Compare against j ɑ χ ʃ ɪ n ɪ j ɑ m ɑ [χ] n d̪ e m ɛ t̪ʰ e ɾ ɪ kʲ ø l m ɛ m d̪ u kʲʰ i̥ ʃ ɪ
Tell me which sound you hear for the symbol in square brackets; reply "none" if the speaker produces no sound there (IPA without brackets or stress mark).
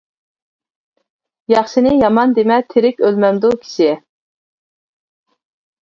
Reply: none